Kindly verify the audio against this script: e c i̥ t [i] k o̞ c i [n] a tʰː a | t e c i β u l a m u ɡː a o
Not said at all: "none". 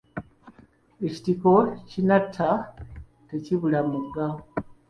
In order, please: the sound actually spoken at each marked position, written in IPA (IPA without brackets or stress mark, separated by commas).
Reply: i, n